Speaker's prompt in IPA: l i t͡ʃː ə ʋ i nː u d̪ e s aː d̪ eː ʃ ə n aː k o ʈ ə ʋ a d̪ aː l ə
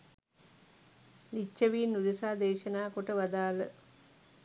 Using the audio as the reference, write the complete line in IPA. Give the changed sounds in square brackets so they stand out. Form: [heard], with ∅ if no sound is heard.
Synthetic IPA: l i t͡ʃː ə ʋ [iː] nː u d̪ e s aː d̪ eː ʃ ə n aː k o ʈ ə ʋ a d̪ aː l ə